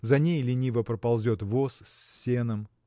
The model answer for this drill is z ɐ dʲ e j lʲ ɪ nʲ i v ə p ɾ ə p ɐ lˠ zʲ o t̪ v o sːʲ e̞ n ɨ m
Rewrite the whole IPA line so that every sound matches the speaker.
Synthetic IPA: z ɐ nʲ e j lʲ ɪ nʲ i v ə p ɾ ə p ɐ lˠ zʲ o t̪ v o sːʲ e̞ n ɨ m